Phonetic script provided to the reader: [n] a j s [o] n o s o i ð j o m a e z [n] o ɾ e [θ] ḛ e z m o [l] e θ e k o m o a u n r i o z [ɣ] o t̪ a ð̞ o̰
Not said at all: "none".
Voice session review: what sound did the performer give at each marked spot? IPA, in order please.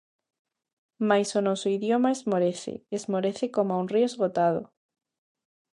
m, o, m, θ, ɾ, ɣ

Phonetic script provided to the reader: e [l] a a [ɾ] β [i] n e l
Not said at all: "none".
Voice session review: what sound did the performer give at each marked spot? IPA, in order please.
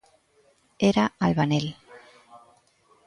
ɾ, l, a

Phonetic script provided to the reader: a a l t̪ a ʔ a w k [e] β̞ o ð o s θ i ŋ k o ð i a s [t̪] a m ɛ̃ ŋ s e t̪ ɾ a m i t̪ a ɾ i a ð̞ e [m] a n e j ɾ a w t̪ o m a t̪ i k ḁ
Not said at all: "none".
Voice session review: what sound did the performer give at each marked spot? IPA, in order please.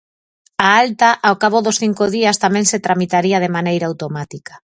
a, t̪, m

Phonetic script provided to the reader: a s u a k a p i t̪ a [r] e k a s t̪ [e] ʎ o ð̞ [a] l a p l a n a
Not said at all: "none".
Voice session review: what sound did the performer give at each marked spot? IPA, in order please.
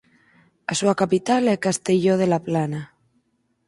l, e, e

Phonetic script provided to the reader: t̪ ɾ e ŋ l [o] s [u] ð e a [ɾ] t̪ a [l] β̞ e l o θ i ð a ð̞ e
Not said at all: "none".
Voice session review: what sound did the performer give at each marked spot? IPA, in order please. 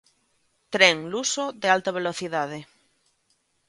u, o, l, none

